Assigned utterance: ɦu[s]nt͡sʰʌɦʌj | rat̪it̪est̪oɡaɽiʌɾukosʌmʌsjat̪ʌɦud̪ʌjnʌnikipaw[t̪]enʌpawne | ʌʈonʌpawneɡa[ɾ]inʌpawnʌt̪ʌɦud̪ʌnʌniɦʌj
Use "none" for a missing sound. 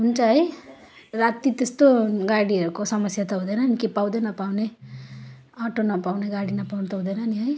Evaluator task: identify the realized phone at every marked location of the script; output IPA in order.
none, d̪, ɽ

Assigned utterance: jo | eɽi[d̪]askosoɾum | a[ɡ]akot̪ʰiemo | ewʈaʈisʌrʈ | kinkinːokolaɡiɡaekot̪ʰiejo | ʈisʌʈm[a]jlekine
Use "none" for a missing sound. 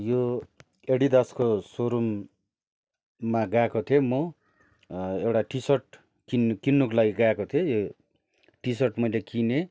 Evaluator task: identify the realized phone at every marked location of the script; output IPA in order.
d̪, ɡ, ʌ

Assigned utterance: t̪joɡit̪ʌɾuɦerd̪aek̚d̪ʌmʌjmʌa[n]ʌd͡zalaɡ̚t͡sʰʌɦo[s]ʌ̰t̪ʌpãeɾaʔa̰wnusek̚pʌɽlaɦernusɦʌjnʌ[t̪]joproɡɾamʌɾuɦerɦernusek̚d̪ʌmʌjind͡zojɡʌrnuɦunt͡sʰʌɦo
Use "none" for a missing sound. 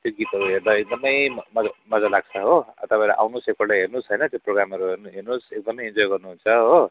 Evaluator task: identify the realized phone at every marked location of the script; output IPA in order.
m, none, t̪

